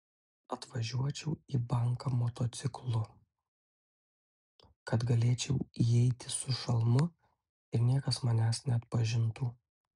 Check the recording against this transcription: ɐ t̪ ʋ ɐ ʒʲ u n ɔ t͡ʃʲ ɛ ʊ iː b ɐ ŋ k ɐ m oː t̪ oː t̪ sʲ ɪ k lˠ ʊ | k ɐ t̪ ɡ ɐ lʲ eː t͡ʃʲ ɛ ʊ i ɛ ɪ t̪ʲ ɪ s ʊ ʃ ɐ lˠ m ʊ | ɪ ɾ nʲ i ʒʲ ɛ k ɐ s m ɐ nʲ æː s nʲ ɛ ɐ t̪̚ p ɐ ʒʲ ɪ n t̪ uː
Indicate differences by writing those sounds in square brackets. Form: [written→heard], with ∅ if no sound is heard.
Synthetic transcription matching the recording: ɐ t̪ ʋ ɐ ʒʲ u [n→∅] ɔ t͡ʃʲ ɛ ʊ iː b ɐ ŋ k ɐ m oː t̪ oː t̪ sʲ ɪ k lˠ ʊ | k ɐ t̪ ɡ ɐ lʲ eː t͡ʃʲ ɛ ʊ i ɛ ɪ t̪ʲ ɪ s ʊ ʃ ɐ lˠ m ʊ | ɪ ɾ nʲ i [ʒʲ→∅] ɛ k ɐ s m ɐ nʲ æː s nʲ ɛ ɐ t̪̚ p ɐ ʒʲ ɪ n t̪ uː